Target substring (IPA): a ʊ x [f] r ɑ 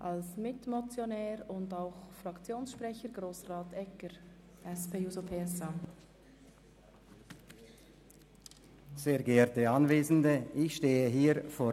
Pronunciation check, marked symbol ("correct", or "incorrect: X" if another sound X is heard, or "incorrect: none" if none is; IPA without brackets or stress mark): correct